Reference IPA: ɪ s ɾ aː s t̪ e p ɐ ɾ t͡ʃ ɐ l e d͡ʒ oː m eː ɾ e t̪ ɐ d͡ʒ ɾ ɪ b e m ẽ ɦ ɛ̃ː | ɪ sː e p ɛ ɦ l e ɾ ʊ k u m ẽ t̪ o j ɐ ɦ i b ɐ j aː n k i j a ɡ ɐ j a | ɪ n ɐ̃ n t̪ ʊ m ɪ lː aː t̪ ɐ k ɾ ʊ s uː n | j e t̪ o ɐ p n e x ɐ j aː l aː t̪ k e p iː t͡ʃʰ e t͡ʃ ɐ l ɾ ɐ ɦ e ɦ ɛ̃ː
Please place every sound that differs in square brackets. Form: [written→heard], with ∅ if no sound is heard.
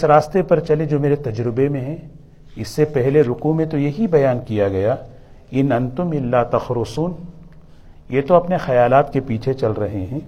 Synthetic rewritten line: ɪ s ɾ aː s t̪ e p ɐ ɾ t͡ʃ ɐ l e d͡ʒ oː m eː ɾ e t̪ ɐ d͡ʒ ɾ ɪ b e m ẽ ɦ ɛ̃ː | ɪ sː e p ɛ ɦ l e ɾ ʊ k u m ẽ t̪ o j ɐ ɦ i b ɐ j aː n k i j a ɡ ɐ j a | ɪ n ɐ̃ n t̪ ʊ m ɪ lː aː t̪ ɐ [k→x] ɾ ʊ s uː n | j e t̪ o ɐ p n e x ɐ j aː l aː t̪ k e p iː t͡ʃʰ e t͡ʃ ɐ l ɾ ɐ ɦ e ɦ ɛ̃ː